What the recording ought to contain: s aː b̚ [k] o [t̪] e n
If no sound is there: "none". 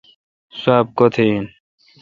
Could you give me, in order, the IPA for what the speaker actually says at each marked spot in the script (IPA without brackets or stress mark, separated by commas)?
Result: k, t̪ʰ